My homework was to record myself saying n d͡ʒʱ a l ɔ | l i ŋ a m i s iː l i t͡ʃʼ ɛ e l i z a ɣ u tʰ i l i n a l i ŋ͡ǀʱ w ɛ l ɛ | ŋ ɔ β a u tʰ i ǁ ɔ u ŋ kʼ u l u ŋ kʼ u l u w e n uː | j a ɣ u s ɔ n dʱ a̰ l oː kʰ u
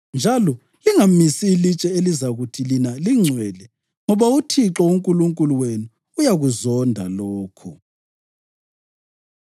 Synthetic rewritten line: n d͡ʒʱ a l ɔ | l i ŋ a m i s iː l i t͡ʃʼ ɛ e l i z a ɣ u tʰ i l i n a l i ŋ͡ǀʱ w ɛ l ɛ | ŋ ɔ β a u tʰ i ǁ ɔ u ŋ kʼ u l u ŋ kʼ u l u w e n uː | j a ɣ u z ɔ n dʱ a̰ l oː kʰ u